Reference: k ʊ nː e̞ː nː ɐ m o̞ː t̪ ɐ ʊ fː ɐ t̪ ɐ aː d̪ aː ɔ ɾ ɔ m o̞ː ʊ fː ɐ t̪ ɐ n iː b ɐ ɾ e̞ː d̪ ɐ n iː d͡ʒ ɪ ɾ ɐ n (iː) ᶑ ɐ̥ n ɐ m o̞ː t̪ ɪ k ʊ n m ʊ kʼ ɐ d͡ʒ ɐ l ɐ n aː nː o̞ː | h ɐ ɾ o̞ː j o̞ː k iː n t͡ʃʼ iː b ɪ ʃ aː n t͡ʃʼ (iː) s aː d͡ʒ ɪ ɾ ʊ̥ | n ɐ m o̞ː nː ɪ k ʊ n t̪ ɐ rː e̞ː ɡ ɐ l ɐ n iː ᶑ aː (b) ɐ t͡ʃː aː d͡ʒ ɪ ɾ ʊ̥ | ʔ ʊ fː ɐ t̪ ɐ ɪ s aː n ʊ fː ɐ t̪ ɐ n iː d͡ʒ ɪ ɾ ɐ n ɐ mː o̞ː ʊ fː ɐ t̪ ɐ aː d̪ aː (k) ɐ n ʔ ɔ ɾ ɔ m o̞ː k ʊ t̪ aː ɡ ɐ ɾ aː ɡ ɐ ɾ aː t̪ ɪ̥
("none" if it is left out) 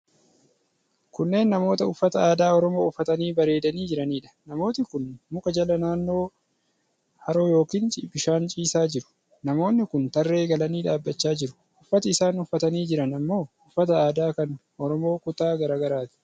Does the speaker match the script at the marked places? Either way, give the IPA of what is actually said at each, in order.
iː, iː, bː, k

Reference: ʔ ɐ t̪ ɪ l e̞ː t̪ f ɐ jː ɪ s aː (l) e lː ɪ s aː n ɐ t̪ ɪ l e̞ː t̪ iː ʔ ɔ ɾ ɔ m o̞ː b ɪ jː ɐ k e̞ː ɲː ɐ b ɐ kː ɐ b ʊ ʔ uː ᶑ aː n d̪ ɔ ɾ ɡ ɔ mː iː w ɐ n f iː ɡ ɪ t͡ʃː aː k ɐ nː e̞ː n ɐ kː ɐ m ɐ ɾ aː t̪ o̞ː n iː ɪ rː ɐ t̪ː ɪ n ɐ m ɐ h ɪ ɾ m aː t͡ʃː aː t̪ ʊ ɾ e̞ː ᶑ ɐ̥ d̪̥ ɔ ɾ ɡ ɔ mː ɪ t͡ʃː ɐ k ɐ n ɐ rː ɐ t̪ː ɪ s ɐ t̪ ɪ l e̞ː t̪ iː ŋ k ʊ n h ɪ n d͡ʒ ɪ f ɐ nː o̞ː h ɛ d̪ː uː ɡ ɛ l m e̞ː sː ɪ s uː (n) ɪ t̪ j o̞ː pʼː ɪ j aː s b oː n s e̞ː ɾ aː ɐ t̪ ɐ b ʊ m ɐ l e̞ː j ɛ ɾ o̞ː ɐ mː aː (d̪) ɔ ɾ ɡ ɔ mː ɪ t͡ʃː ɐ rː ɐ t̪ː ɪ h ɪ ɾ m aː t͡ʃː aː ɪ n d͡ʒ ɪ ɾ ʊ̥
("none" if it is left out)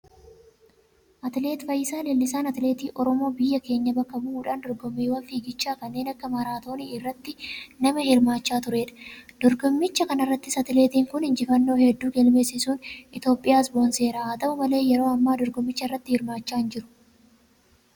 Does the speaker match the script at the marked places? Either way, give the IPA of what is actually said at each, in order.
l, n, d̪

